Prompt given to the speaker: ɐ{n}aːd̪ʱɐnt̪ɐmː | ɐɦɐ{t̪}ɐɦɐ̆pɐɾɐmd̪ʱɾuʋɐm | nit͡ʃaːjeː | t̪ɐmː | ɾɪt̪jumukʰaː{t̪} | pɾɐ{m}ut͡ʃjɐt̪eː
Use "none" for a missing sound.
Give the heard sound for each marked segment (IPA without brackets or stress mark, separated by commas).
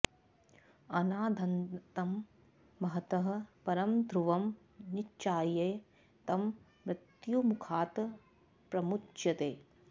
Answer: n, t̪, t̪, m